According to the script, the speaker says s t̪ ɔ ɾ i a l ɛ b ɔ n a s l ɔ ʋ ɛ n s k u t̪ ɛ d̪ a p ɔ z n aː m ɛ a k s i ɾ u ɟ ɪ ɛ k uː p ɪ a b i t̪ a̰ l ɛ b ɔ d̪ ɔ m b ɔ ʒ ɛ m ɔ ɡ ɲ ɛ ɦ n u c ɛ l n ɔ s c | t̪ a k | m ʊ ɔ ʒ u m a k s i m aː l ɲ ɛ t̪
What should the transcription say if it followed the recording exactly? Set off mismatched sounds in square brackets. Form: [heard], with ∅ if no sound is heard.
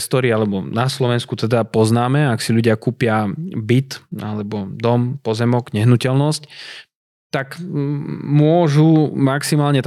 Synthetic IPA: s t̪ ɔ ɾ i a l ɛ b ɔ n a s l ɔ ʋ ɛ n s k u t̪ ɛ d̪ a p ɔ z n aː m ɛ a k s i [ʎ] u ɟ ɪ [a] k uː p ɪ a b i t̪ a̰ l ɛ b ɔ d̪ ɔ m [p] ɔ [z] ɛ m ɔ ɡ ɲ ɛ ɦ n u c ɛ l n ɔ s c | t̪ a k | m ʊ ɔ ʒ u m a k s i m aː l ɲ ɛ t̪